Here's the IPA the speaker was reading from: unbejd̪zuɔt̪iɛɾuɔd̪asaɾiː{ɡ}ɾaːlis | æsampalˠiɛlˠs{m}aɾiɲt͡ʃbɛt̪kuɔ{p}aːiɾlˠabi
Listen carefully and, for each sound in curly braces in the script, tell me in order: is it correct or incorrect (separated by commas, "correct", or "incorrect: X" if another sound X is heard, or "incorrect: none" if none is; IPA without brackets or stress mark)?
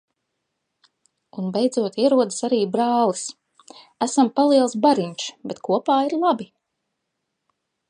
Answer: incorrect: b, incorrect: b, correct